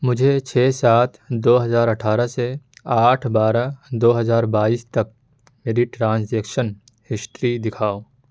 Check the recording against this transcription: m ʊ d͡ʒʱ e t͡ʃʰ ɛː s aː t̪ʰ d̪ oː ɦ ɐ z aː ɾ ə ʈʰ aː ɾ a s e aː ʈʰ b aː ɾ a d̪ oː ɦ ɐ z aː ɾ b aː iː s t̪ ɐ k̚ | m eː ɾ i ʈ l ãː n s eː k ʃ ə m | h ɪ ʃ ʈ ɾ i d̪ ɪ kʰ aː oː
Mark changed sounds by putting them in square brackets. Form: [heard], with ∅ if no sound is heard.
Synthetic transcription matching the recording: m ʊ d͡ʒʱ e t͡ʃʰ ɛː s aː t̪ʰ d̪ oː ɦ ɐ z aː ɾ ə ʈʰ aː ɾ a s e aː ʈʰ b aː ɾ a d̪ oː ɦ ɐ z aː ɾ b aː iː s t̪ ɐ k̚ | m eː ɾ i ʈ [ɾ] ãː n s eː k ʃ ə [n] | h ɪ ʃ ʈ ɾ i d̪ ɪ kʰ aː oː